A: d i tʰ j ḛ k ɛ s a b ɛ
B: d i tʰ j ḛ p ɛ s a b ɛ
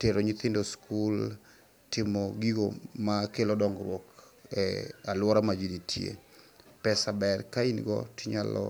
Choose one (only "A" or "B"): B